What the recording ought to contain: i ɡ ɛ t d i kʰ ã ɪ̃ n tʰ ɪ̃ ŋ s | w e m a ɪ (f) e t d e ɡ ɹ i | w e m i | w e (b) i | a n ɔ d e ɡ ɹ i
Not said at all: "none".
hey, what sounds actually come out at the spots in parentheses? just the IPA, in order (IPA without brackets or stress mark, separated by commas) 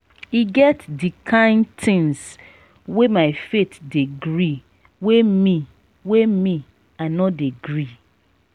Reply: f, m